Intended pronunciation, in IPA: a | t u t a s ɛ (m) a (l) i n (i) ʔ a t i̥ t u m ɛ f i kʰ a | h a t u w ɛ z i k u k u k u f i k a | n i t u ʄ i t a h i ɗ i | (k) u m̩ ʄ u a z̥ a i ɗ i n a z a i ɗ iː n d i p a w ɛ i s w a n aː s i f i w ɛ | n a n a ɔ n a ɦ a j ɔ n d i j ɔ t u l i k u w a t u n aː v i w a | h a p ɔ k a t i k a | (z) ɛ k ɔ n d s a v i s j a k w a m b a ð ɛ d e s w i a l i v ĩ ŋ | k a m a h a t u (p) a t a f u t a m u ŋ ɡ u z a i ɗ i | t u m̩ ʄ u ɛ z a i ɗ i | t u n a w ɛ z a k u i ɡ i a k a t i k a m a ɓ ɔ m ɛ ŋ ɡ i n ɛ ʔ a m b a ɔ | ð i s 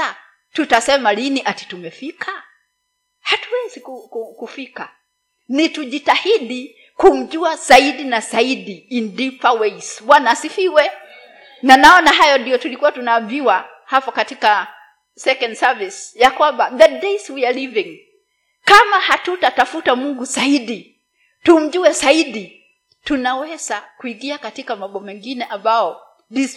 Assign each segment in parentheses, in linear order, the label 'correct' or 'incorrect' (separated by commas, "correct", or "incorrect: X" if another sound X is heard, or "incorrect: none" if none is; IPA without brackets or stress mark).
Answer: correct, correct, correct, correct, incorrect: s, incorrect: t